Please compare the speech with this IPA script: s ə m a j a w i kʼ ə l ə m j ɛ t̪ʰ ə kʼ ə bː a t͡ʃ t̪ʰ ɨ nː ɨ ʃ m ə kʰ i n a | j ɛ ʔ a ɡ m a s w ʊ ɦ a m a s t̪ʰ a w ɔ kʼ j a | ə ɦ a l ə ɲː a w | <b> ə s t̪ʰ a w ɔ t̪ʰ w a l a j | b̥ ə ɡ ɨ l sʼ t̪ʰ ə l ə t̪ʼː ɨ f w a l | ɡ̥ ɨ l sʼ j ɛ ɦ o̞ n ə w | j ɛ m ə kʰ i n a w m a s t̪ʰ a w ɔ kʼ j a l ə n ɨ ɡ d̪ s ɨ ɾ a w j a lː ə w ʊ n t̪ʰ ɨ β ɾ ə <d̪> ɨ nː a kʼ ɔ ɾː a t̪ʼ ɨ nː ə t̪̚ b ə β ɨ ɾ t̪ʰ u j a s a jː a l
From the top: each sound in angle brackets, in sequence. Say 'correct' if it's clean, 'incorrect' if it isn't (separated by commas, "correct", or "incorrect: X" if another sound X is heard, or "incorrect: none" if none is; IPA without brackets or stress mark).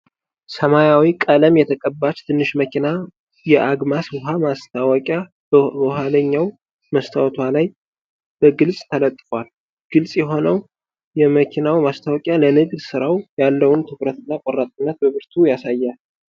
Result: incorrect: m, incorrect: t̪